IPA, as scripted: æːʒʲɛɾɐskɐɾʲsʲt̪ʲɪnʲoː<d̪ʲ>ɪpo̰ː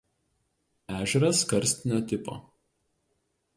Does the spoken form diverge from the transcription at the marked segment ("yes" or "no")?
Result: yes